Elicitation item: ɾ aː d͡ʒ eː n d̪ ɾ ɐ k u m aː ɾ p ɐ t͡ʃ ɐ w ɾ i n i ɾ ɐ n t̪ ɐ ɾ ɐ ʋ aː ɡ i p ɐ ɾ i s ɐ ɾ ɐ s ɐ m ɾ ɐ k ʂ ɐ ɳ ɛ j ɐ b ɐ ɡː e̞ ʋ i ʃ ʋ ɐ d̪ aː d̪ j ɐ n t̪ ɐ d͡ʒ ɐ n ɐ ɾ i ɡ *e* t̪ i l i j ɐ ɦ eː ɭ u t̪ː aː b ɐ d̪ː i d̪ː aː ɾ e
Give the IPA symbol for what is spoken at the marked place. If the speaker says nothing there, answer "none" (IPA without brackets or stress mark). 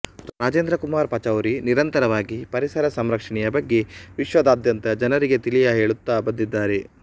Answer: e